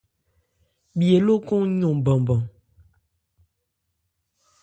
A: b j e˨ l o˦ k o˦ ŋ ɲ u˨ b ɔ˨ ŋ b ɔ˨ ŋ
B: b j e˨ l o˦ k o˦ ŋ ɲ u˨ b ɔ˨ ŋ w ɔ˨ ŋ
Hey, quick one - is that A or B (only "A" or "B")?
A